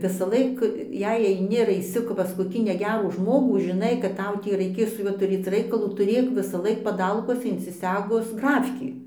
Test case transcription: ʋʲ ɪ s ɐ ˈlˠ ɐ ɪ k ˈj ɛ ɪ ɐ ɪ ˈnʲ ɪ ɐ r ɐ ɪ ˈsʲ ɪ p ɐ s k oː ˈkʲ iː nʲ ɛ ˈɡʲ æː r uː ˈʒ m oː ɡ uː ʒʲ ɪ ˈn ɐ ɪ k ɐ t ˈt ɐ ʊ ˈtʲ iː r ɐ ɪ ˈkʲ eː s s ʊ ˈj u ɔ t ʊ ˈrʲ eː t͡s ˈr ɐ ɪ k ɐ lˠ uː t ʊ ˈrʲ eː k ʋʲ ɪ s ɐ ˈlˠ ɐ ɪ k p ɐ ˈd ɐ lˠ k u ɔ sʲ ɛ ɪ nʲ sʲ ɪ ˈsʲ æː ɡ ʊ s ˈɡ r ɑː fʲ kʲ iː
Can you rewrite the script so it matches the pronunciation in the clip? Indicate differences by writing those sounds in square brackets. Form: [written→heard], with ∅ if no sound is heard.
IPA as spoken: ʋʲ ɪ s ɐ ˈlˠ ɐ ɪ k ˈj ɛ ɪ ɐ ɪ ˈnʲ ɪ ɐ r ɐ ɪ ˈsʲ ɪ p ɐ s k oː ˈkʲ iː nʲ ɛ ˈɡʲ æː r uː ˈʒ m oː ɡ uː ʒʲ ɪ ˈn ɐ ɪ k ɐ t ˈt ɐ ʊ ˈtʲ iː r ɐ ɪ ˈkʲ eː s s ʊ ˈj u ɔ t ʊ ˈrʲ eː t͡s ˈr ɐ ɪ k ɐ lˠ uː t ʊ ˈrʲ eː k ʋʲ ɪ s ɐ ˈlˠ ɐ ɪ k p ɐ ˈd ɐ lˠ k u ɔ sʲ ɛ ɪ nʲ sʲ ɪ ˈsʲ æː ɡ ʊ s ˈɡ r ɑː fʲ kʲ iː